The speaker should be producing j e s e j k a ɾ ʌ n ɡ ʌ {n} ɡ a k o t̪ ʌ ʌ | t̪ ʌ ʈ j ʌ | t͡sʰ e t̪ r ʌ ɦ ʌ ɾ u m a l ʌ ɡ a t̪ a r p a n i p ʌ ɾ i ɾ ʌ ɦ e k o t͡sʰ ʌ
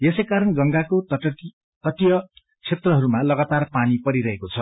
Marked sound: incorrect: ŋ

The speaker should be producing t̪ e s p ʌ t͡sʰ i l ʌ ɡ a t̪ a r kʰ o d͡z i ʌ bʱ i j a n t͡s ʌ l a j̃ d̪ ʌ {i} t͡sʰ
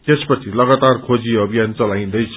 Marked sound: incorrect: j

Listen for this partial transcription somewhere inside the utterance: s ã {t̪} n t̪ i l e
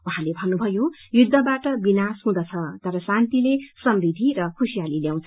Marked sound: incorrect: none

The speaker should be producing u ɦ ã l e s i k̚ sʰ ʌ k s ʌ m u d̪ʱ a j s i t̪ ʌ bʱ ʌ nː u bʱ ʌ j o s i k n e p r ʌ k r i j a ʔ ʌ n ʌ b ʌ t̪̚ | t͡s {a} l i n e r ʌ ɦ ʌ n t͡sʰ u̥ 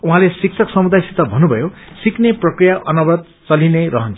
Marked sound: incorrect: ʌ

